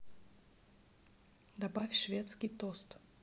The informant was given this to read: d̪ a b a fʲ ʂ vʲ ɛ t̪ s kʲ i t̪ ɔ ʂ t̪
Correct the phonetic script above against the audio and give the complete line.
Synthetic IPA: d̪ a b a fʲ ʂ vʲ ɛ t̪ s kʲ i t̪ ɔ s t̪